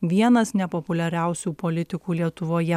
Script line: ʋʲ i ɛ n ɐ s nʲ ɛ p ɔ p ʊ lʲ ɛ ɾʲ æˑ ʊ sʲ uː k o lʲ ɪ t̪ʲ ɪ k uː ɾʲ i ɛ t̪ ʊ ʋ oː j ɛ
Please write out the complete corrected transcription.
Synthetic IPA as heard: ʋʲ i ɛ n ɐ s nʲ ɛ p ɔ p ʊ lʲ ɛ ɾʲ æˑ ʊ sʲ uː p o lʲ ɪ t̪ʲ ɪ k uː lʲ i ɛ t̪ ʊ ʋ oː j ɛ